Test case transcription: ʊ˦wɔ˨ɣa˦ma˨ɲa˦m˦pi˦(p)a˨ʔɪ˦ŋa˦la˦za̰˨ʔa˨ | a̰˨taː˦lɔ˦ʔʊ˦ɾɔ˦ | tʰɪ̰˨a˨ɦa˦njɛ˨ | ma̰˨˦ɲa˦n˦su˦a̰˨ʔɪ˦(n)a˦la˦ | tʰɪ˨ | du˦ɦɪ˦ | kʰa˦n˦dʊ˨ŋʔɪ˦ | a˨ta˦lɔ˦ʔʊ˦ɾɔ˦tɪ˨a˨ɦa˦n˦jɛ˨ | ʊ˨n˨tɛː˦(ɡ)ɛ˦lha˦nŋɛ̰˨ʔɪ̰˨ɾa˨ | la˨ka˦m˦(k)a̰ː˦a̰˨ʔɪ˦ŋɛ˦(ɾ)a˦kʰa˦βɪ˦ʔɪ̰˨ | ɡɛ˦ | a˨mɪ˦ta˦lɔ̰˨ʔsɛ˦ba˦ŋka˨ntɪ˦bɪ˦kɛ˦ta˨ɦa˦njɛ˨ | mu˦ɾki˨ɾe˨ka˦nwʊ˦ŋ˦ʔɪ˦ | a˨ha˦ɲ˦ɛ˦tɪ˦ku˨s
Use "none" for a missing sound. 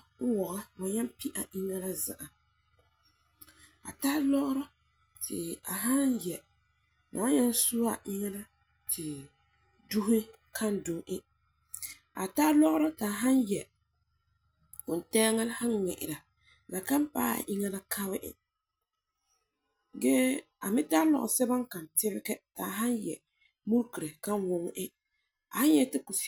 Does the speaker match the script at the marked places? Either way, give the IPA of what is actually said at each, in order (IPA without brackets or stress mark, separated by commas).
ʔ, ŋ, ŋ, p, l